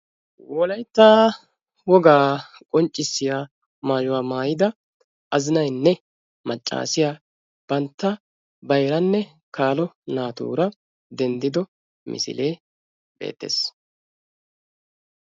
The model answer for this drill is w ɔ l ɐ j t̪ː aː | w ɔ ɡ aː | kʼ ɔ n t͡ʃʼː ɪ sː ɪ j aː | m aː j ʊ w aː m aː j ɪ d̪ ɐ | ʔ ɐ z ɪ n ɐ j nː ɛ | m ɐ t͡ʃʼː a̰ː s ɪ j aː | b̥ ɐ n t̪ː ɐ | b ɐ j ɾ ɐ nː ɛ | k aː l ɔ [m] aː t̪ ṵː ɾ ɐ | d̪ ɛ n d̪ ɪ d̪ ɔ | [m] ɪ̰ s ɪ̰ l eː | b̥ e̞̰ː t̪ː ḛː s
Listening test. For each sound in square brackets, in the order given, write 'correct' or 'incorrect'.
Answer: incorrect: n, correct

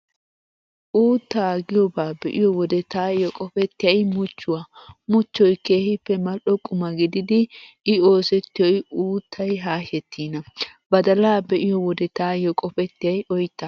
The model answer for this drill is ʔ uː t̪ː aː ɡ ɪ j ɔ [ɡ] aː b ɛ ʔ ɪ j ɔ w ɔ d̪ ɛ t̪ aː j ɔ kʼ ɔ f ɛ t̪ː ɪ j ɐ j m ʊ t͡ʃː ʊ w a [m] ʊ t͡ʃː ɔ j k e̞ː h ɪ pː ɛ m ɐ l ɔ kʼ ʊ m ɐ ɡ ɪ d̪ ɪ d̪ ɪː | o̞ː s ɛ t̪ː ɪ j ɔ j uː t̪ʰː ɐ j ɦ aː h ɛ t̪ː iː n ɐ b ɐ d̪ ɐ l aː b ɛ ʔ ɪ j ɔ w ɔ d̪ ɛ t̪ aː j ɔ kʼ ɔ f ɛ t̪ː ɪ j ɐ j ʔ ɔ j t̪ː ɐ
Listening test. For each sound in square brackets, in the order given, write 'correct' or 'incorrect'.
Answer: incorrect: b, correct

